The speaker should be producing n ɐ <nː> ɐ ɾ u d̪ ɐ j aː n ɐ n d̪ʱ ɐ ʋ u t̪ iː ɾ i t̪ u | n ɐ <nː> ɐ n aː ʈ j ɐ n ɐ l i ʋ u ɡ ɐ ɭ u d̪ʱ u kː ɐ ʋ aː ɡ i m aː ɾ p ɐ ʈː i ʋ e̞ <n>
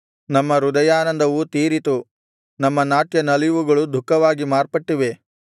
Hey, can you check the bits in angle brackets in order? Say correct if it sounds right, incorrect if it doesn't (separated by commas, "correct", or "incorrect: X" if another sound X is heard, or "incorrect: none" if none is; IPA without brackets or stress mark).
incorrect: mː, incorrect: mː, incorrect: none